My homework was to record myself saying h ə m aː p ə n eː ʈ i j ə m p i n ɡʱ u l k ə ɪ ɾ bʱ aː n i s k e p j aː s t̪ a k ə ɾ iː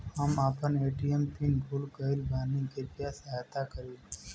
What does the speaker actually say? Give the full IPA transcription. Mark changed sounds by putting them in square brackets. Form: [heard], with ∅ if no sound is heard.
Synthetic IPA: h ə m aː p ə n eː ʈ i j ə m p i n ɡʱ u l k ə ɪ [l] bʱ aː n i [∅] k e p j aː s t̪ a k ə ɾ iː